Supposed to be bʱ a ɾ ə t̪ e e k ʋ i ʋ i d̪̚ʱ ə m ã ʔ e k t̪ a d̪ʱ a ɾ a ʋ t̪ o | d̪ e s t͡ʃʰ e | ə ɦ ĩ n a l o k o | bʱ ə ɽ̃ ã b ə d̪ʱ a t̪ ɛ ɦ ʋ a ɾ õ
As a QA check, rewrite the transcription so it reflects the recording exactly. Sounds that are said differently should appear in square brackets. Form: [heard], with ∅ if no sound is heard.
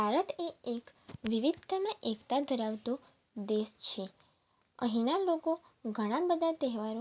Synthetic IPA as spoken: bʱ a ɾ ə t̪ e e k ʋ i ʋ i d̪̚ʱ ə m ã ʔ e k t̪ a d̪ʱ [ə] ɾ a ʋ t̪ o | d̪ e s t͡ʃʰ e | ə ɦ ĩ n a l o k o | [ɡʱ] ə ɽ̃ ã b ə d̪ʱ a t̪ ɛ ɦ ʋ a ɾ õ